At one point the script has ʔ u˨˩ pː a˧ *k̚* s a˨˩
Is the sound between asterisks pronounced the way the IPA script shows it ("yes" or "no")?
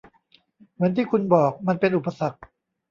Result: no